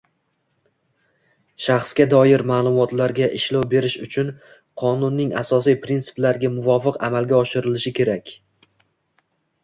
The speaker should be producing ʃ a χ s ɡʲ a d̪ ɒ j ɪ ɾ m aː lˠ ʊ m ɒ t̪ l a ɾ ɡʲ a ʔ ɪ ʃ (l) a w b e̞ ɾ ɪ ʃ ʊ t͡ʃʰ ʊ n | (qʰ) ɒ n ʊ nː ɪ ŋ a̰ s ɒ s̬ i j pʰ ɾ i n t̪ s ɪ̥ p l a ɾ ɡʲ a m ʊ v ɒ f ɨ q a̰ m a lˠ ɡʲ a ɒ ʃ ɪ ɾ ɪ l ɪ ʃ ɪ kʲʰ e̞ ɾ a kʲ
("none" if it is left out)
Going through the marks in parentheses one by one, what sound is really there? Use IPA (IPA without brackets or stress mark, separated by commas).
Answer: l, qʰ